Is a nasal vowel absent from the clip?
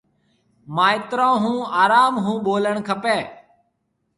no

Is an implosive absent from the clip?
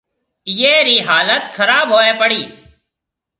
yes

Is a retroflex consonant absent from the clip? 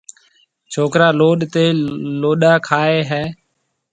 yes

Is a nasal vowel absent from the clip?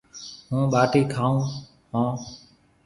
no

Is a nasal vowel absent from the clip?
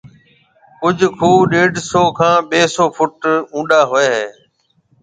no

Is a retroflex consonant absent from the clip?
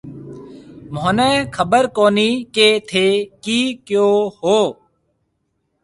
yes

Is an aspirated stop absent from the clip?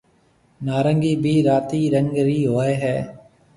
yes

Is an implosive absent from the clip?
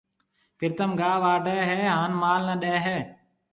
no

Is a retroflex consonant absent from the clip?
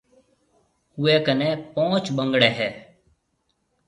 no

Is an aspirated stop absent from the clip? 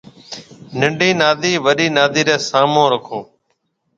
no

